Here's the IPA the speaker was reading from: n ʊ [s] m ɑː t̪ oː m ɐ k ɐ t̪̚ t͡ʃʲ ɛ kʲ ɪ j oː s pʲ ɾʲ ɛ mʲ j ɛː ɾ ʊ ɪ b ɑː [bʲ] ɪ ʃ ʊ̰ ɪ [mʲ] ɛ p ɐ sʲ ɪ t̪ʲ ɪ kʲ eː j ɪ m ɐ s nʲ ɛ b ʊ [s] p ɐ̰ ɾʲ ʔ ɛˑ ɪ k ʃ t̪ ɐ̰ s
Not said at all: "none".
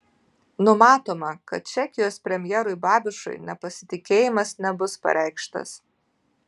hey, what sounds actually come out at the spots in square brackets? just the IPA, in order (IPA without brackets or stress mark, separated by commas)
none, bʲ, nʲ, s